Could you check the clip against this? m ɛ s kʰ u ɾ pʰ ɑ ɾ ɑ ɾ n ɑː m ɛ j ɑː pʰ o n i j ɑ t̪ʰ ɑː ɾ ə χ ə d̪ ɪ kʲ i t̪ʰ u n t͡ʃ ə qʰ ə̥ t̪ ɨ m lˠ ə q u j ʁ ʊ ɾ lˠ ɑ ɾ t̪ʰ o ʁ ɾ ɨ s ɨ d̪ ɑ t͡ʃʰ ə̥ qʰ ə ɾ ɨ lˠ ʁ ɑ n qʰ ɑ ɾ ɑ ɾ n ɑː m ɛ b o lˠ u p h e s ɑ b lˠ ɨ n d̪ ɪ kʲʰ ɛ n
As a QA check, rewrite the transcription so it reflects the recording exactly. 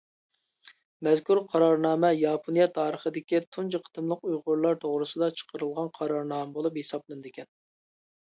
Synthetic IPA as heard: m ɛ z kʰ u ɾ qʰ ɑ ɾ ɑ ɾ n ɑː m ɛ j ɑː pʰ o n i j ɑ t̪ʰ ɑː ɾ ə χ ə d̪ ɪ kʲ i t̪ʰ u n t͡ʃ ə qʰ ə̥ t̪ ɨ m lˠ ə q u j ʁ ʊ ɾ lˠ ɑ ɾ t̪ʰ o ʁ ɾ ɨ s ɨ d̪ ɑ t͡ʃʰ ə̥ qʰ ə ɾ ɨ lˠ ʁ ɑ n qʰ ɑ ɾ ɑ ɾ n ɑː m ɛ b o lˠ u p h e s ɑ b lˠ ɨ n d̪ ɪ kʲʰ ɛ n